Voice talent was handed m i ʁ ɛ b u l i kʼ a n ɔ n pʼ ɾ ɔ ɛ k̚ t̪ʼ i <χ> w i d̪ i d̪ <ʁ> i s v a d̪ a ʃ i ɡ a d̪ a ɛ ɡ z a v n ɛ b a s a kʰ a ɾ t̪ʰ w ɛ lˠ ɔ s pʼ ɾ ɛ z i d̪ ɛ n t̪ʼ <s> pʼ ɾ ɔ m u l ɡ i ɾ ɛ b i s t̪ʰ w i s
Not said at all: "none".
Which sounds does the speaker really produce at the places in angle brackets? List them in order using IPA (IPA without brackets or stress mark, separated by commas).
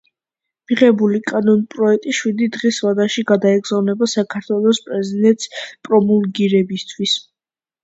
ʃ, ʁ, s